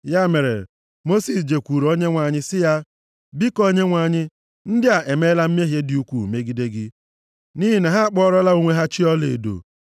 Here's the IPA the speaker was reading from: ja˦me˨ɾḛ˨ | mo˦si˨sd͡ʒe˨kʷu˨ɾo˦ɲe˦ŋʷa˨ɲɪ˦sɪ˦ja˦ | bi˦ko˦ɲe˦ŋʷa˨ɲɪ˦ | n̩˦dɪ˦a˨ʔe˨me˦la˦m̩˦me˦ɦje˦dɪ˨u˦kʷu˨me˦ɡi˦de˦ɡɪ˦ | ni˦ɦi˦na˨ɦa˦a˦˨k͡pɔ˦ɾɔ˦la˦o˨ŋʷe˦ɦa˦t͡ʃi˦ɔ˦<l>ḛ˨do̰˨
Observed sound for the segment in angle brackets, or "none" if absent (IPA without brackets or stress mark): l